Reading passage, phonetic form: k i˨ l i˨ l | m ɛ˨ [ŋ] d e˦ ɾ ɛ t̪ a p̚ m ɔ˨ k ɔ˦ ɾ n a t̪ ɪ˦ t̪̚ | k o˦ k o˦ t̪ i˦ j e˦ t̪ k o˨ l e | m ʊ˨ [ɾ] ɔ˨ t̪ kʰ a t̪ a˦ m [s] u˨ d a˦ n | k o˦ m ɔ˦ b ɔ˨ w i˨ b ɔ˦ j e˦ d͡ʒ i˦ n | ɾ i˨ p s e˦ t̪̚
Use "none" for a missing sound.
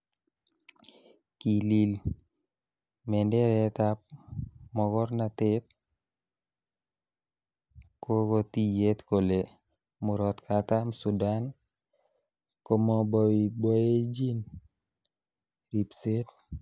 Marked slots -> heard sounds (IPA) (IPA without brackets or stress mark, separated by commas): n, ɾ, s